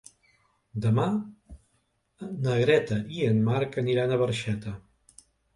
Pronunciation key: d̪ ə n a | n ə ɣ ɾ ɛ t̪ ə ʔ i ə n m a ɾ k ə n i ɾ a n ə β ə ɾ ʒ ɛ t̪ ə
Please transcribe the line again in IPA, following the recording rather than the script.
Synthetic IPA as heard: d̪ ə m a | n ə ɣ ɾ ɛ t̪ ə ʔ i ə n m a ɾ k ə n i ɾ a n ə β ə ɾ ʃ ɛ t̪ ə